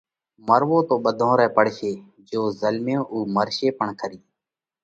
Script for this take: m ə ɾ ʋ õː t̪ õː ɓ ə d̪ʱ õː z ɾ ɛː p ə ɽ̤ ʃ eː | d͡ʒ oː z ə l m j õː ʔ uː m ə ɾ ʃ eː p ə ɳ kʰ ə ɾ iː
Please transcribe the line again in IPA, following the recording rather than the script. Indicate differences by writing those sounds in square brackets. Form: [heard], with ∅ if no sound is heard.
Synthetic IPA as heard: m ə ɾ ʋ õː t̪ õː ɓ ə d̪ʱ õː [∅] ɾ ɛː p ə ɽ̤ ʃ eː | d͡ʒ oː z ə l m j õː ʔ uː m ə ɾ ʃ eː p ə ɳ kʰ ə ɾ iː

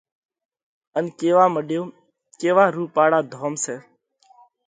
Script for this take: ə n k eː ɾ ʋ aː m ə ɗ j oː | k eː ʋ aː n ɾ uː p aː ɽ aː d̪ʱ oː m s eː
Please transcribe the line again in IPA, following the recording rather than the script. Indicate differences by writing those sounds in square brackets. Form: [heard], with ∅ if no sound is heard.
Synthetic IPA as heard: ə n k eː [∅] ʋ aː m ə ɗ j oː | k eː ʋ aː [∅] ɾ uː p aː ɽ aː d̪ʱ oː m s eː

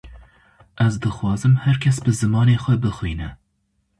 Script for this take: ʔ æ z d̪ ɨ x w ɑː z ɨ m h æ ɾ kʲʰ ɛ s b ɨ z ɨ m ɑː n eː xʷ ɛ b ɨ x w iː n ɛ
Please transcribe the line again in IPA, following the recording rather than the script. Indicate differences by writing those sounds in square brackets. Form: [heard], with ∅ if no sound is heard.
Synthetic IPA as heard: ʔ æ z d̪ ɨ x w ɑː z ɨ m h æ ɾ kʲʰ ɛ s b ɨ z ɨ m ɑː n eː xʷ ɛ b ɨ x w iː n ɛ

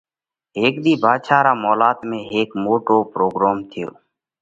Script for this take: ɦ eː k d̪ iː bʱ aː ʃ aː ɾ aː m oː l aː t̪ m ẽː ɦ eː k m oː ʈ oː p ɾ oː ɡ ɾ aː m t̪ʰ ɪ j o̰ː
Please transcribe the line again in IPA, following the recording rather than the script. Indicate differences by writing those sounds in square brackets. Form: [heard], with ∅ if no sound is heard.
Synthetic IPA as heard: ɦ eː k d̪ iː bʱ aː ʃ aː ɾ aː m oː l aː t̪ m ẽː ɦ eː k m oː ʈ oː p ɾ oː ɡ ɾ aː m t̪ʰ ɪ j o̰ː

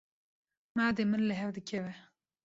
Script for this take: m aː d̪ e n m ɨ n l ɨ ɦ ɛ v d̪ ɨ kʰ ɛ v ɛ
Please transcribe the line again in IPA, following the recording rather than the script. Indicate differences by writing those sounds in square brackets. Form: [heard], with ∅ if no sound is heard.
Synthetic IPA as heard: m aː d̪ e [∅] m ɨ n l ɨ ɦ ɛ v d̪ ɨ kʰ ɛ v ɛ

